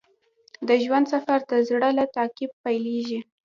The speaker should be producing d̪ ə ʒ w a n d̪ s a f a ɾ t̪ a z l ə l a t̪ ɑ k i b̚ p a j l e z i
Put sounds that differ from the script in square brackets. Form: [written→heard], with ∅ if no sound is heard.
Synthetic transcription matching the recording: d̪ ə ʒ w a n d̪ s a f a ɾ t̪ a z [l→ɽ] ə l a t̪ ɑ k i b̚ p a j l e [z→ʒ] i